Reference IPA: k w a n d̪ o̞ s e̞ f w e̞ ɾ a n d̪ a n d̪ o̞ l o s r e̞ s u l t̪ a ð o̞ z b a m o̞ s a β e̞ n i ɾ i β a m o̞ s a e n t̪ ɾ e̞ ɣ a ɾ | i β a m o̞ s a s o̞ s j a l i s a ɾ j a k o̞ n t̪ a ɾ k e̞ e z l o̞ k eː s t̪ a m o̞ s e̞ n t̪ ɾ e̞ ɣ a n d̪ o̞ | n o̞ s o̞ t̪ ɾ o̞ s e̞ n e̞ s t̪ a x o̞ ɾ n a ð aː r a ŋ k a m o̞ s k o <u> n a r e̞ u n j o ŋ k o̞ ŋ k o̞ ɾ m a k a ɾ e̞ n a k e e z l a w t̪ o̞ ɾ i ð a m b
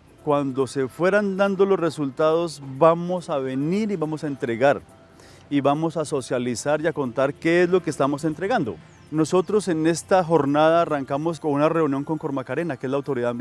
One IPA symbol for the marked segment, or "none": u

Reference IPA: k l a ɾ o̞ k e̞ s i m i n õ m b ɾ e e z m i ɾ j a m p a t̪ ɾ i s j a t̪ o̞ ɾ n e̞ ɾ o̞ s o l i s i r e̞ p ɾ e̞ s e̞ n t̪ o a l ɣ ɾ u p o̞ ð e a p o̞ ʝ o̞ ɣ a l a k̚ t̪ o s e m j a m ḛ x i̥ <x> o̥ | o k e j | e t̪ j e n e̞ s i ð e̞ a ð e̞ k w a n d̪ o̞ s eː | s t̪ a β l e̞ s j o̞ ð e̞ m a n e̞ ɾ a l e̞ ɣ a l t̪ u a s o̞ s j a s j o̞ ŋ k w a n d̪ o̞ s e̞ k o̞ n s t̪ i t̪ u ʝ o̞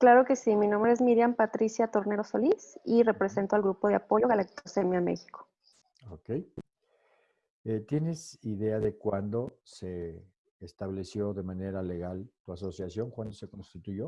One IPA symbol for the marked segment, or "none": k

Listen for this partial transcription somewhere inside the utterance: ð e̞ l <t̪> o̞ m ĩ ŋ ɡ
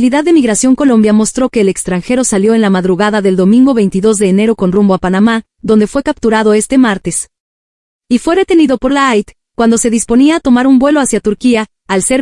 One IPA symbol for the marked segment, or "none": d̪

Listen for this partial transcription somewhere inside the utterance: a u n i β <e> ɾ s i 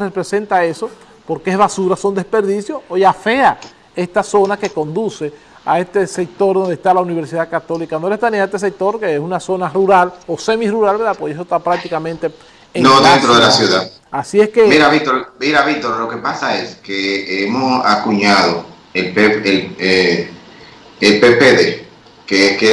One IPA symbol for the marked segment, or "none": e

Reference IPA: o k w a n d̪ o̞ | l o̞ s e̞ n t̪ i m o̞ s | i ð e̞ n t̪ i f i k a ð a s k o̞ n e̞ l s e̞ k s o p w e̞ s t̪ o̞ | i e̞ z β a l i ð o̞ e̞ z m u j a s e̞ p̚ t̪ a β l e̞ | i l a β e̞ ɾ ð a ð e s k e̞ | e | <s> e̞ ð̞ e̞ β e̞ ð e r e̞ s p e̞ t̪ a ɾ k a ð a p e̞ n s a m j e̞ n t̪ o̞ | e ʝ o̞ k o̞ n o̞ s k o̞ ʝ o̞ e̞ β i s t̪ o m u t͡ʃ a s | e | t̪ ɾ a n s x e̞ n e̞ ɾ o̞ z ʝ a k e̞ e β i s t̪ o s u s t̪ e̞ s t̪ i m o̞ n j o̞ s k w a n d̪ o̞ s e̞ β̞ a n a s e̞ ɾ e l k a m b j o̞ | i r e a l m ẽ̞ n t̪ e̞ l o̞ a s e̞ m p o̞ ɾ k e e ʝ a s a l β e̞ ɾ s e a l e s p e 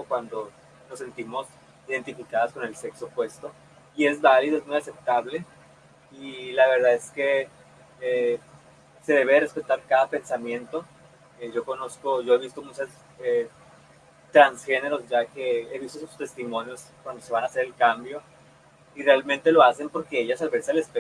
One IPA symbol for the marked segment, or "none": s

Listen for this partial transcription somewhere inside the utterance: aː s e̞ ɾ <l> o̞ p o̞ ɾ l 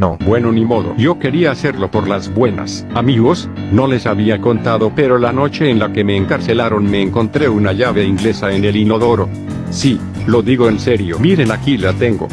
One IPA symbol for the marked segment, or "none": l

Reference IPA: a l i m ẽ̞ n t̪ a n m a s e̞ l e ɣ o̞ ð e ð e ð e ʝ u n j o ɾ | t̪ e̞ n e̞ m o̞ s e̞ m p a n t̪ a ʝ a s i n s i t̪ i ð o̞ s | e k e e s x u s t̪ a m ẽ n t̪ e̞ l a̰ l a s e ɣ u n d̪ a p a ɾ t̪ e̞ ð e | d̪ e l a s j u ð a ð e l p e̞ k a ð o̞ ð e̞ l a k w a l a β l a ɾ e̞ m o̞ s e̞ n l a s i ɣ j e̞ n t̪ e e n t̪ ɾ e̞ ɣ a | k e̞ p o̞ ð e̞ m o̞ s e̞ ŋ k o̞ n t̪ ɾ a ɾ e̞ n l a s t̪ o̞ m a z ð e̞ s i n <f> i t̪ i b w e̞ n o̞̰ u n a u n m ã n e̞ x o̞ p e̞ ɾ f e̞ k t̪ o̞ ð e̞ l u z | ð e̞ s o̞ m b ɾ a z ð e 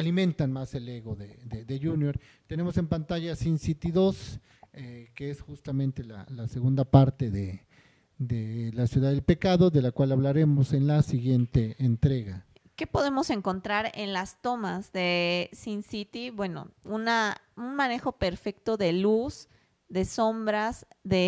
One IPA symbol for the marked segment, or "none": s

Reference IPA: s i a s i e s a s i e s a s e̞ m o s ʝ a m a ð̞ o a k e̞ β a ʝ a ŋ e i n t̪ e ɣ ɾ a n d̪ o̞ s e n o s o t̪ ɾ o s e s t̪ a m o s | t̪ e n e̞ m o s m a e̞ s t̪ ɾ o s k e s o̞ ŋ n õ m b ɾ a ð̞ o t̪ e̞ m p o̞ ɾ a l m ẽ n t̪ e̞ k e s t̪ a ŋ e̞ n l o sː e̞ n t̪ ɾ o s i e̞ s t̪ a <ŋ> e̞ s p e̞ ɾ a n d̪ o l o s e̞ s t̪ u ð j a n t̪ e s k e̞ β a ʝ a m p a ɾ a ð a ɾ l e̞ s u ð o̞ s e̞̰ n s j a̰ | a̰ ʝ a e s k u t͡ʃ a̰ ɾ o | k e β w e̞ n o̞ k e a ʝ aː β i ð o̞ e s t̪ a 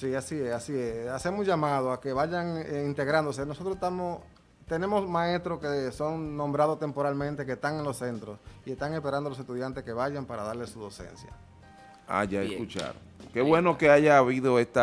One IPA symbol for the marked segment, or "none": ŋ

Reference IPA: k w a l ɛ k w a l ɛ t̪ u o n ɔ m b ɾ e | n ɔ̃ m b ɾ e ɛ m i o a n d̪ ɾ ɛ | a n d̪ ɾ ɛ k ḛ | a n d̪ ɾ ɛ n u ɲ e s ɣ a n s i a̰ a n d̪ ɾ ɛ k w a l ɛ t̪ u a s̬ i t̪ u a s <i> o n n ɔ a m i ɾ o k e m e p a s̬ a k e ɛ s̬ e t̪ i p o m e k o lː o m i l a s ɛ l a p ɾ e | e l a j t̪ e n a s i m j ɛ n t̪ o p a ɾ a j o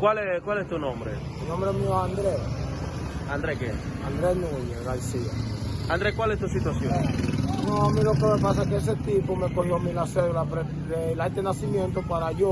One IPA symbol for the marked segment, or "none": j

